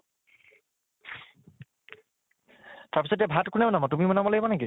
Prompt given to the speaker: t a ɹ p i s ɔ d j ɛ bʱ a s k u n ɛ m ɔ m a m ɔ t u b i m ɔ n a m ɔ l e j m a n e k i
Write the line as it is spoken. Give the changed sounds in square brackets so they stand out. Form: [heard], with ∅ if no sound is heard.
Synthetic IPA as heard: t a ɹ p i s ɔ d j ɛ bʱ a [t] k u n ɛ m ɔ [n] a m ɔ t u [m] i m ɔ n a m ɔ l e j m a n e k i